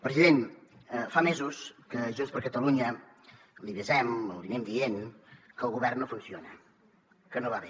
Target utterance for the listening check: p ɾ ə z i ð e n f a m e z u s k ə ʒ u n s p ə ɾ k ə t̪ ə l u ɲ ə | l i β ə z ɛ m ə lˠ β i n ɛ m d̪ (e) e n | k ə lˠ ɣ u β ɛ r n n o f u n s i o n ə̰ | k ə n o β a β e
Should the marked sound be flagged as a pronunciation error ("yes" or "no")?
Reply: yes